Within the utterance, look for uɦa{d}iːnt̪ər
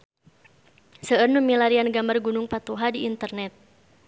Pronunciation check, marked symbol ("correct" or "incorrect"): correct